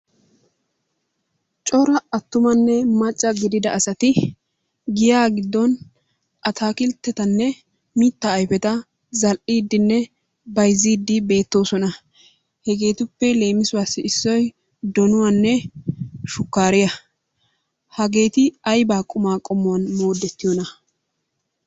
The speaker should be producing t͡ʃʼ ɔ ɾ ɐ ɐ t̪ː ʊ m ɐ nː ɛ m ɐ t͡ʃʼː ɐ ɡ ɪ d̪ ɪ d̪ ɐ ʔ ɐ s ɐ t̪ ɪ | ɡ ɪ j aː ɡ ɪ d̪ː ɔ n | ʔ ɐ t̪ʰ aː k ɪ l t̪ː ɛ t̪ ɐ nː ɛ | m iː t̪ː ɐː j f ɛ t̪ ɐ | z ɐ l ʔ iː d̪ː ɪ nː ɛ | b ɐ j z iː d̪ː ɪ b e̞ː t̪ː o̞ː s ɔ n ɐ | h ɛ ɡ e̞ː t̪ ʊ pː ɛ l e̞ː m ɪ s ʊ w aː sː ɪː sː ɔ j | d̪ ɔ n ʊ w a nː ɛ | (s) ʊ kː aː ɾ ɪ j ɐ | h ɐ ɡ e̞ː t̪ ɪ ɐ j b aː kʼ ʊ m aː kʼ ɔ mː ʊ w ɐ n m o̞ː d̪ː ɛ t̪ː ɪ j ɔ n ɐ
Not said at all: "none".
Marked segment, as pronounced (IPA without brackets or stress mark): ʃ